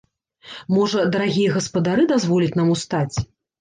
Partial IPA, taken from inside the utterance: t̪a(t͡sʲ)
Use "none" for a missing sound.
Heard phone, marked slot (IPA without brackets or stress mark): t͡sʲ